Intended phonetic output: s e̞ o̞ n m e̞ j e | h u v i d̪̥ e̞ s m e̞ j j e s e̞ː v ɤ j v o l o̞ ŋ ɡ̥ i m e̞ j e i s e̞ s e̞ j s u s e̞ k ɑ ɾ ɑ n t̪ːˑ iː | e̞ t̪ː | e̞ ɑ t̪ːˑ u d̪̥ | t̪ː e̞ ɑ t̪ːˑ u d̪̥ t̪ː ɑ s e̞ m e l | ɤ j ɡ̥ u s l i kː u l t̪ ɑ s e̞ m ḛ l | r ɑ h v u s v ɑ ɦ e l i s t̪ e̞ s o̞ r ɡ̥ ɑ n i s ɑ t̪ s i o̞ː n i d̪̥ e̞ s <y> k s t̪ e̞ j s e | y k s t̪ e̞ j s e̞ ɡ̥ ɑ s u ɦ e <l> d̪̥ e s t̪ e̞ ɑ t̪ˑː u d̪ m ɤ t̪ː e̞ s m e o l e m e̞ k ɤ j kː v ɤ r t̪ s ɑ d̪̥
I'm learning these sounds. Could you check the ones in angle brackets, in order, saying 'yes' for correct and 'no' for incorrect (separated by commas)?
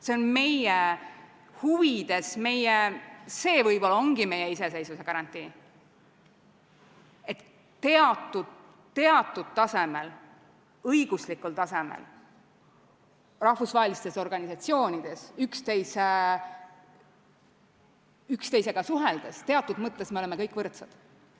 yes, yes